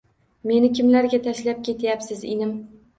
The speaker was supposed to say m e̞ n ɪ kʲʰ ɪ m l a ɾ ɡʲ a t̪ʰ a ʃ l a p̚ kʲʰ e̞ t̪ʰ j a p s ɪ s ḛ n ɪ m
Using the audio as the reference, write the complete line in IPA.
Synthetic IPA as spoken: m e̞ n ɪ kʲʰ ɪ m l a ɾ ɡʲ a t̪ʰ a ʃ l a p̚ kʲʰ e̞ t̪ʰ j a p s ɪ z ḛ n ɪ m